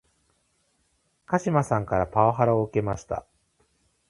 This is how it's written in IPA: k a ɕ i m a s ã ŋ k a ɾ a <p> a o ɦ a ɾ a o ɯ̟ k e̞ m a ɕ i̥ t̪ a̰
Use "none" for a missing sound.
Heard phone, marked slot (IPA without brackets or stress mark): p